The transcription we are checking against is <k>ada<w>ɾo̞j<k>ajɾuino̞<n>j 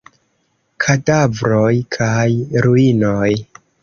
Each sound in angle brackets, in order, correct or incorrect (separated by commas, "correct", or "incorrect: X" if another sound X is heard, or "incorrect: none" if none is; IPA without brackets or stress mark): incorrect: kʰ, incorrect: v, incorrect: kʰ, incorrect: none